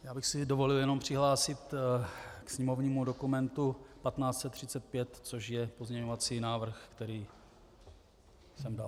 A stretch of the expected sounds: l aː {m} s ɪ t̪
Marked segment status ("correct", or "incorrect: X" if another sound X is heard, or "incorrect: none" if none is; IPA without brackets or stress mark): incorrect: none